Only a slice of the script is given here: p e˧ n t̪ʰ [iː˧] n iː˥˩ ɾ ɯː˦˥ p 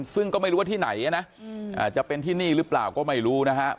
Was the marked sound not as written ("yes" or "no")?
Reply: yes